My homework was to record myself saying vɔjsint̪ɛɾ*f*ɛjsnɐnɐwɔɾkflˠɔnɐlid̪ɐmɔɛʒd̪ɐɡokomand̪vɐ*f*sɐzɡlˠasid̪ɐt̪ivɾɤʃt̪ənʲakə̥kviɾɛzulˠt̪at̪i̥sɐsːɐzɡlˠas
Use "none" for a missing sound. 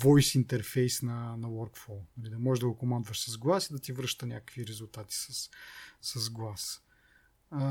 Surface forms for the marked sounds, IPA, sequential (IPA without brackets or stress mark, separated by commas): f, ʃ